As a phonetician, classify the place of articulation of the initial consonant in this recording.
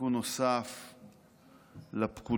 alveolar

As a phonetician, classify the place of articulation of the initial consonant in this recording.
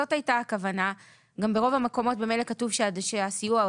alveolar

